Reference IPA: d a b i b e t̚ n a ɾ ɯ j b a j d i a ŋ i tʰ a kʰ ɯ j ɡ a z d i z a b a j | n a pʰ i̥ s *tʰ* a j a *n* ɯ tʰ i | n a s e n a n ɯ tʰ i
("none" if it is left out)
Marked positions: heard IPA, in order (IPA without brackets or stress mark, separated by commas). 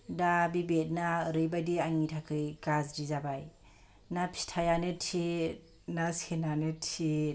tʰ, n